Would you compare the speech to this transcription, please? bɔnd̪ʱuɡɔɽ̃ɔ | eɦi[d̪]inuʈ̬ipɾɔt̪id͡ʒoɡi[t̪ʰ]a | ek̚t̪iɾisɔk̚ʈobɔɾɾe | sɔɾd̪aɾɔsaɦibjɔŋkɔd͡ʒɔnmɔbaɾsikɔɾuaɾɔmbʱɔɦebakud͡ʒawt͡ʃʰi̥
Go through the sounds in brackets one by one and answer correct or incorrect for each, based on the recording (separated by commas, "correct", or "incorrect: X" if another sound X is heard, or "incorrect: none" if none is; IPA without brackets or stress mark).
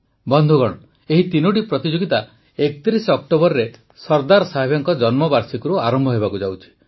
incorrect: t̪, incorrect: t̪